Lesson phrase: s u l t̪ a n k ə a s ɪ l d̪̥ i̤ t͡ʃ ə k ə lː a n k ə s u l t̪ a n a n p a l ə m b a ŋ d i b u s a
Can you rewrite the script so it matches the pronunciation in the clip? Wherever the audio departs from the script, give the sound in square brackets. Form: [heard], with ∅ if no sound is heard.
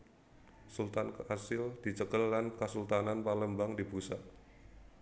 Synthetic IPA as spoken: s u l t̪ a n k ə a s ɪ l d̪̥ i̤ t͡ʃ ə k ə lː a n k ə s u l t̪ a n a n p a l ə m b a ŋ d i b u s a